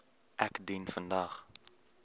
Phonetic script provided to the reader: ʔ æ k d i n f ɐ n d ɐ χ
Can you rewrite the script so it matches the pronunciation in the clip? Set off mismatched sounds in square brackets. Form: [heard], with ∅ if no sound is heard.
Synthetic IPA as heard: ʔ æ k d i n f [ə] n d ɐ χ